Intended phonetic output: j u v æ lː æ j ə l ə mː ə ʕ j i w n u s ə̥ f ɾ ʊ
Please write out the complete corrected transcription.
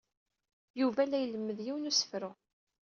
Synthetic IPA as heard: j u v æ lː æ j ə l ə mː ə ð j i w n u s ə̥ f ɾ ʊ